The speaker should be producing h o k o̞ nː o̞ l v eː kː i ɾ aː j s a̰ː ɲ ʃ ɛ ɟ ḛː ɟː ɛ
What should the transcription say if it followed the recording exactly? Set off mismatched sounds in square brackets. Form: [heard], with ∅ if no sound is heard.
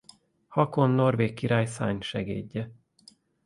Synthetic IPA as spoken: h [ɒ] k o̞ nː o̞ [r] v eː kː i ɾ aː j s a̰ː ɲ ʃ ɛ [ɡ] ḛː ɟː ɛ